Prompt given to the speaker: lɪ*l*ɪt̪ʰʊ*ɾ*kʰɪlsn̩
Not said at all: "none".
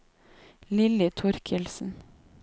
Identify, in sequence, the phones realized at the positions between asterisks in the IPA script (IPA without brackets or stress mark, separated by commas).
l, ɾ